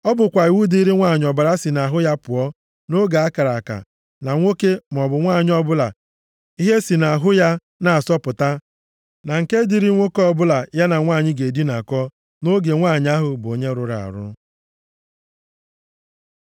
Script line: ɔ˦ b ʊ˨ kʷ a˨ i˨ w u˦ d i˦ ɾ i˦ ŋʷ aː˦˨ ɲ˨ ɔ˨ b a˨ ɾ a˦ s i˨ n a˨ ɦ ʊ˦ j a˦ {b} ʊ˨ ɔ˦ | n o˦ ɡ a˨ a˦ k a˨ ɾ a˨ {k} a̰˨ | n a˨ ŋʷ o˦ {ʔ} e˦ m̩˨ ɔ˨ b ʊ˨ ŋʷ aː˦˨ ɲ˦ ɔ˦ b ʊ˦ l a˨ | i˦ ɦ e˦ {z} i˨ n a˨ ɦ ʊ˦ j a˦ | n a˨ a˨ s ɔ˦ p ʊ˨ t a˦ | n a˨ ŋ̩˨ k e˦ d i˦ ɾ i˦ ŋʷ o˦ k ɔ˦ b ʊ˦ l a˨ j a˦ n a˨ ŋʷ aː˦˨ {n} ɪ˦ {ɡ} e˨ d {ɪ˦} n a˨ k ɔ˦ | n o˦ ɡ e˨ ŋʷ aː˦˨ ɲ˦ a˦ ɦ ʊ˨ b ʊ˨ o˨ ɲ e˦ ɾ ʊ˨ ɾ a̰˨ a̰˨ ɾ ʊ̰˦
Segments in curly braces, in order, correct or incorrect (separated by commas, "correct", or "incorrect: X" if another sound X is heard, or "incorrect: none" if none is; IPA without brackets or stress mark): incorrect: p, correct, incorrect: k, incorrect: s, incorrect: ɲ, correct, incorrect: i˦